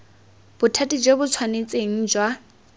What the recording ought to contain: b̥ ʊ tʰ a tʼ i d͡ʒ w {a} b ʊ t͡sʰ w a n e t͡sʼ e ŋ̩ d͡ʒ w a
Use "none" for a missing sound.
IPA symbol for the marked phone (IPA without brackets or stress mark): e